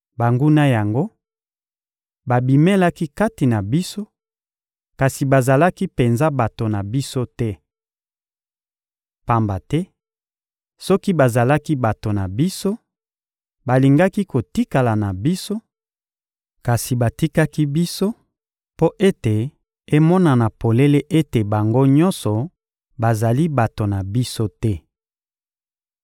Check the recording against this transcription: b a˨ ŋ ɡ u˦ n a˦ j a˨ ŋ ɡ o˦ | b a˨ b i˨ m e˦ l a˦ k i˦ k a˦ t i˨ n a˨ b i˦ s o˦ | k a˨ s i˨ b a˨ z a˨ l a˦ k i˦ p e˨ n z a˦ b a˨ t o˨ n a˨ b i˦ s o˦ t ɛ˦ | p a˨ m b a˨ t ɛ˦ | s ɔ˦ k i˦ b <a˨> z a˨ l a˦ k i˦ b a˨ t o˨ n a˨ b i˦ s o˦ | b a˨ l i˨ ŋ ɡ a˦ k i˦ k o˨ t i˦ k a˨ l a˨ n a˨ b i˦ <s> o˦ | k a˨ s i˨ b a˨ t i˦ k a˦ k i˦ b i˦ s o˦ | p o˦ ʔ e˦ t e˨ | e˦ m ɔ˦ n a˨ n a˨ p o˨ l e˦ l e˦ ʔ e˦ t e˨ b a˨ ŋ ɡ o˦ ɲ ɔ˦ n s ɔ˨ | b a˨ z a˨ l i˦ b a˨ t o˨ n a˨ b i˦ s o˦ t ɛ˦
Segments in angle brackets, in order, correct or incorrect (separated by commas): correct, correct